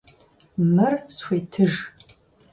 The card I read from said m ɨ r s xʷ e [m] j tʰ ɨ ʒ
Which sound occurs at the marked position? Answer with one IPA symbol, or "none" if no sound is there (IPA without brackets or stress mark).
none